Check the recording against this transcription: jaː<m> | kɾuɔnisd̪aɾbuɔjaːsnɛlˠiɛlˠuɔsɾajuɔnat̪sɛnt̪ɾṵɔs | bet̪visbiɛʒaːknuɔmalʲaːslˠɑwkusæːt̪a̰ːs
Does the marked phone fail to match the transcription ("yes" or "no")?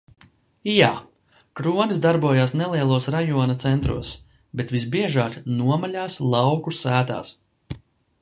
yes